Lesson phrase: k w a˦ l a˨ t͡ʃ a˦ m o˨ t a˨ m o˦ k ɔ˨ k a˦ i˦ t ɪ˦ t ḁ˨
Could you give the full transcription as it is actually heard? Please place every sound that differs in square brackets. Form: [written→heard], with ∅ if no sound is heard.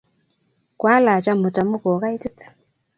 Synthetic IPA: k w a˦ l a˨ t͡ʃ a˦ m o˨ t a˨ m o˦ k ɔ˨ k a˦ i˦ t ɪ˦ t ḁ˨